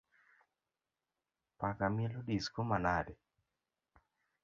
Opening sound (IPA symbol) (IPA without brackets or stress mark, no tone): p